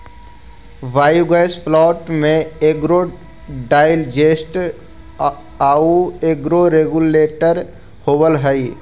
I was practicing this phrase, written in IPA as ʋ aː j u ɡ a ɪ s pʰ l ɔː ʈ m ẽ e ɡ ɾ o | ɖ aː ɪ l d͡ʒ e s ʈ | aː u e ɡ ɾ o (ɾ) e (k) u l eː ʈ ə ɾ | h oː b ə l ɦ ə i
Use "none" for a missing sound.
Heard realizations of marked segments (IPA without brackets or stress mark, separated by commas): ɾ, ɡ